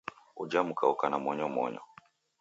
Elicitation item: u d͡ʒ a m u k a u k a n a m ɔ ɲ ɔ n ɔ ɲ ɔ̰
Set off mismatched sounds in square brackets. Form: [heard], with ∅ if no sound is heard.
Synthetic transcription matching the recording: u d͡ʒ a m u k a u k a n a m ɔ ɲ ɔ [m] ɔ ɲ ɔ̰

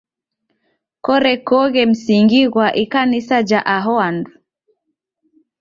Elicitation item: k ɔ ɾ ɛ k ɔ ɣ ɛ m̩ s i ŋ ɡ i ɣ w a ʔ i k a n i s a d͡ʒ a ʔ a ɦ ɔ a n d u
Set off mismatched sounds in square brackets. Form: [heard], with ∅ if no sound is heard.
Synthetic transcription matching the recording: k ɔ ɾ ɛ k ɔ ɣ ɛ m̩ s i ŋ ɡ i ɣ w a ʔ i k a n i s a d͡ʒ a ʔ a ɦ ɔ a n d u

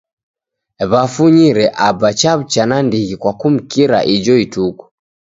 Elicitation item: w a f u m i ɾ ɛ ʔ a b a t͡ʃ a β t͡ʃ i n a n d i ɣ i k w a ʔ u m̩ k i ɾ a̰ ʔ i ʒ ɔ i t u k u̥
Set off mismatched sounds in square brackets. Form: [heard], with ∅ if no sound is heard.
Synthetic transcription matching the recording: [β] a f u [ɲ] i ɾ ɛ ʔ a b a t͡ʃ a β t͡ʃ [a] n a n d i ɣ i k w a [k] u m̩ k i ɾ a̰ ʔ i [d͡ʒ] ɔ i t u k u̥

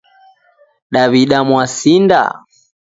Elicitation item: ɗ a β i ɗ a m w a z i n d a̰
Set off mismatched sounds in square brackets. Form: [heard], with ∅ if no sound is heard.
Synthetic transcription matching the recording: ɗ a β i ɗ a m w a [s] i n d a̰

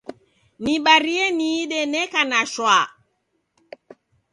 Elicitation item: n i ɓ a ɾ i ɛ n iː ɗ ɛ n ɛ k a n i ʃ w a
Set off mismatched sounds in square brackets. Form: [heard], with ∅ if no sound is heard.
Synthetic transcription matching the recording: n i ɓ a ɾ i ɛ n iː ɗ ɛ n ɛ k a n [a] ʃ w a

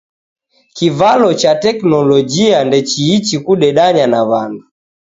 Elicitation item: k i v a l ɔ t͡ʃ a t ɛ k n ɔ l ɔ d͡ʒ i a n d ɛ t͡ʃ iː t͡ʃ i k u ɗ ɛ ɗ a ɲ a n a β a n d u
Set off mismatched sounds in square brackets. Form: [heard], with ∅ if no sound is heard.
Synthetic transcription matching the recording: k i v a l ɔ t͡ʃ a t ɛ k n ɔ l ɔ d͡ʒ i a n d ɛ t͡ʃ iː t͡ʃ i k u ɗ ɛ ɗ a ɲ a n a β a n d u

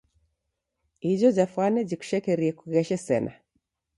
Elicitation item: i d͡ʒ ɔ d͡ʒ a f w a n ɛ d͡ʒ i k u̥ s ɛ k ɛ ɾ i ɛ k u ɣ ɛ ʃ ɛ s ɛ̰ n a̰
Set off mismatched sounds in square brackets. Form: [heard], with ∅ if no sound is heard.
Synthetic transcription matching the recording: i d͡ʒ ɔ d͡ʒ a f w a n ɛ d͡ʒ i k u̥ [ʃ] ɛ k ɛ ɾ i ɛ k u ɣ ɛ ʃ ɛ s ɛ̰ n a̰

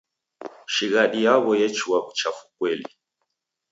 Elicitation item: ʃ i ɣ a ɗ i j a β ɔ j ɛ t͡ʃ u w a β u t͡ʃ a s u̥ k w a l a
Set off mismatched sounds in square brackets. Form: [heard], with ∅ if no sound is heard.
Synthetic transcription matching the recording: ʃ i ɣ a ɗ i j a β ɔ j ɛ t͡ʃ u w a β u t͡ʃ a [f] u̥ k w [ɛ] l [i]

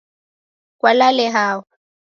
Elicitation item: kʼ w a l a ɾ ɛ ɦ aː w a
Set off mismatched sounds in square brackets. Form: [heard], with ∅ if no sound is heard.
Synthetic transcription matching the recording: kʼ w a l a [l] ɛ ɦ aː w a

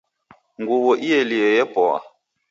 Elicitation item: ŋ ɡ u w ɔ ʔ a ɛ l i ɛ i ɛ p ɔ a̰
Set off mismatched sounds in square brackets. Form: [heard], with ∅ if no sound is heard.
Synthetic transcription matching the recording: ŋ ɡ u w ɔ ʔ [i] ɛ l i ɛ [j] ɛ p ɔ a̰

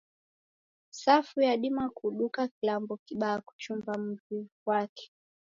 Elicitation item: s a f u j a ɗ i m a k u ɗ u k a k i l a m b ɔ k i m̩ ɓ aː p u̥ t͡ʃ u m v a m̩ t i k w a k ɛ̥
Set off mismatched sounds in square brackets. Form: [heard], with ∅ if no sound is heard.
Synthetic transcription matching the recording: s a f u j a ɗ i m a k u ɗ u k a k i l a m b ɔ k i [∅] ɓ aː [k] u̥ t͡ʃ u m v a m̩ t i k w a k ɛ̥

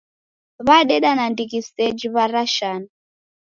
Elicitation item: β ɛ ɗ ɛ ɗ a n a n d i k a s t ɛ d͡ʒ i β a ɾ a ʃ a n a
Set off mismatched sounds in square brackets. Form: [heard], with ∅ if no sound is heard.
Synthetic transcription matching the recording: β [a] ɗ ɛ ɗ a n a n d i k [i] s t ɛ d͡ʒ i β a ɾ a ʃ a n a

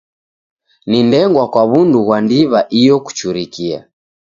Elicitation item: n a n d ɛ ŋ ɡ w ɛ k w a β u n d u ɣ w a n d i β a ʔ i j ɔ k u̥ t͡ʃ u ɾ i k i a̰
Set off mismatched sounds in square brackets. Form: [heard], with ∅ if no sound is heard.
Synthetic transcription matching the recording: n [i] n d ɛ ŋ ɡ w [a] k w a β u n d u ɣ w a n d i β a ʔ i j ɔ k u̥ t͡ʃ u ɾ i k i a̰

